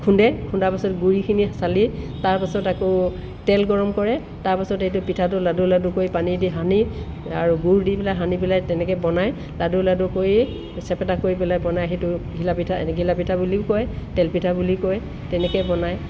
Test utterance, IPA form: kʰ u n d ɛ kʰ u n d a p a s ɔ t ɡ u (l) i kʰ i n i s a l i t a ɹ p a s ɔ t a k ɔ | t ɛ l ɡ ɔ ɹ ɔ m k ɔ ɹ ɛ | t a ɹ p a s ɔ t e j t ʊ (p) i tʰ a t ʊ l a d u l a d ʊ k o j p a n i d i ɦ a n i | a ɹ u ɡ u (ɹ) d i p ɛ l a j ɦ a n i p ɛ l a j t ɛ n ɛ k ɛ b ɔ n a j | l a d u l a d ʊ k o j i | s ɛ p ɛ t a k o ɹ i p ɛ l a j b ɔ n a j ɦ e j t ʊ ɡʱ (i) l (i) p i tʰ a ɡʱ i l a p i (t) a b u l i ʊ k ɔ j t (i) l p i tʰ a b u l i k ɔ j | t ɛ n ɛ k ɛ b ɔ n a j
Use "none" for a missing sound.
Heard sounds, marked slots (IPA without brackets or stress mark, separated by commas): ɹ, p, ɹ, i, a, tʰ, ɛ